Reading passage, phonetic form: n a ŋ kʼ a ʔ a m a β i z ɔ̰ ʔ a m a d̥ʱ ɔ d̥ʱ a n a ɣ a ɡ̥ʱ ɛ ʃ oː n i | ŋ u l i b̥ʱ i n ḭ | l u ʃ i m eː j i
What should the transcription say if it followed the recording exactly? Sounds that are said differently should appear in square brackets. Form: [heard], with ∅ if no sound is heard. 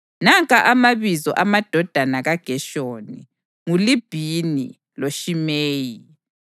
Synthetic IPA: n a ŋ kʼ a ʔ a m a β i z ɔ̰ ʔ a m a d̥ʱ ɔ d̥ʱ a n a ɣ a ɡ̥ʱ ɛ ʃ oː n i | ŋ u l i b̥ʱ i n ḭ | l [o] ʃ i m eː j i